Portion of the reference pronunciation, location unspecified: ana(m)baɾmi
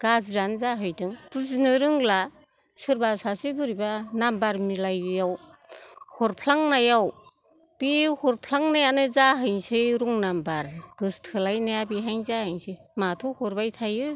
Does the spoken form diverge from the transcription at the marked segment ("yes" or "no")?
no